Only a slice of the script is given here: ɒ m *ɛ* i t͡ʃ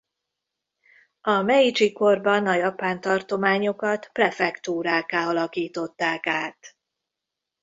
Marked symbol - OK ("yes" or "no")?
yes